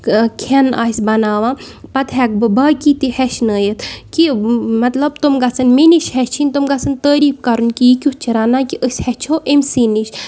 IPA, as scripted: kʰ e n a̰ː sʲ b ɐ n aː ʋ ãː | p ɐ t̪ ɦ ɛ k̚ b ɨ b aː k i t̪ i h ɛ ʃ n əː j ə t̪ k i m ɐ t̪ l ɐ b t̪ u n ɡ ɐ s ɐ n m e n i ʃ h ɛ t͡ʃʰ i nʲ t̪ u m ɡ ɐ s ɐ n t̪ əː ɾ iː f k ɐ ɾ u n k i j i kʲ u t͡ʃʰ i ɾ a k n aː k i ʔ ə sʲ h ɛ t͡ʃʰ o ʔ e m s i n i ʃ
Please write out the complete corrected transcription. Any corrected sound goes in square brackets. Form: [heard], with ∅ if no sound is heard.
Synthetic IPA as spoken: kʰ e n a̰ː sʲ b ɐ n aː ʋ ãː | p ɐ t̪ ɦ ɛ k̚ b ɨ b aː k i t̪ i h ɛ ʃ n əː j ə t̪ k i m ɐ t̪ l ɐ b t̪ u [m] ɡ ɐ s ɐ n m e n i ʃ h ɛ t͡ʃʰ i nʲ t̪ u m ɡ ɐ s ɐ n t̪ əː ɾ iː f k ɐ ɾ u n k i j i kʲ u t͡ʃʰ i ɾ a [∅] n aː k i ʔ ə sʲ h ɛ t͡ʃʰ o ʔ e m s i n i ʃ